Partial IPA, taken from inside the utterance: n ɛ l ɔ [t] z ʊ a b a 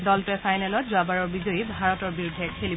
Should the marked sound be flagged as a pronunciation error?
no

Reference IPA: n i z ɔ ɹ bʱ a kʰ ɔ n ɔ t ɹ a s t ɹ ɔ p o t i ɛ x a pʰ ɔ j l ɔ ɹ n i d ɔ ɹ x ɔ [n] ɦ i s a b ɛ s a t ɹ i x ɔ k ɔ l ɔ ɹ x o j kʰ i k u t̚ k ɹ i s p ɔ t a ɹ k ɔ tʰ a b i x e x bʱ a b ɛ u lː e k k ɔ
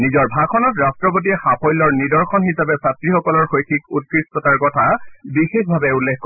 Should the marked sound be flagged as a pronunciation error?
no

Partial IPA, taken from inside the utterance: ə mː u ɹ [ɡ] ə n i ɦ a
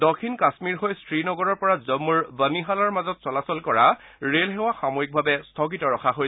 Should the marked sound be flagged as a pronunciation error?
yes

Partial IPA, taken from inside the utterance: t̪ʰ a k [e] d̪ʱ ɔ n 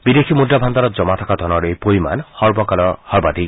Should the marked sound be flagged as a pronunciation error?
yes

